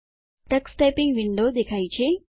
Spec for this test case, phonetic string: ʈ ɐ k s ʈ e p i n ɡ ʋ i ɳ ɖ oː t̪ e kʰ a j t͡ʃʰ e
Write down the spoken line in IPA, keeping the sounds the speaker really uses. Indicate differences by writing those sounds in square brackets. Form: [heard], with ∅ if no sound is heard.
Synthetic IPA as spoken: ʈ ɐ k s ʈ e p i [ŋ] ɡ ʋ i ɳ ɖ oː [d̪] e kʰ a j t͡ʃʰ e